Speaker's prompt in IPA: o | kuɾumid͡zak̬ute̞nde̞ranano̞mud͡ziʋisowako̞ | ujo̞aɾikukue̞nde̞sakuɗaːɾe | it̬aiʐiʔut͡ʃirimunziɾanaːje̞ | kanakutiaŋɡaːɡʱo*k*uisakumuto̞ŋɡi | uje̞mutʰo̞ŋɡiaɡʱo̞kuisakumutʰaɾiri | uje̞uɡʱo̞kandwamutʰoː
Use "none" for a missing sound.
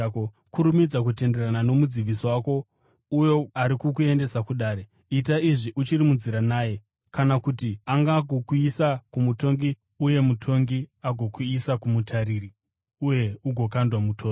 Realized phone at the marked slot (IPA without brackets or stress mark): k